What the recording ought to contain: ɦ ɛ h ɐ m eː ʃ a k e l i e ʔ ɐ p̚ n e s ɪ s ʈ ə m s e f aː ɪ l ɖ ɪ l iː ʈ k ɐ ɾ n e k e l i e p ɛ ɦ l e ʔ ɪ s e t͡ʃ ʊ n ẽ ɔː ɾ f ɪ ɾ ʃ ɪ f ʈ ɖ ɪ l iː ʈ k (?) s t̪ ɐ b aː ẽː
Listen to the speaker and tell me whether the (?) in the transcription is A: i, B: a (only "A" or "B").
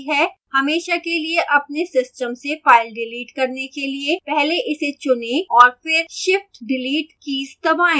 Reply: A